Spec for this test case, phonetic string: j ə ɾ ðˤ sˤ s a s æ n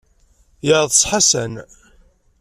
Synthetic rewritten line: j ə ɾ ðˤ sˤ ħ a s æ n